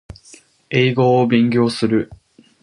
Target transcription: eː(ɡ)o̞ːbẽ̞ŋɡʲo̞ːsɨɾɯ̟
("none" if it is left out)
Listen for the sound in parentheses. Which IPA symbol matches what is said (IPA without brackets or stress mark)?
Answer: ɡ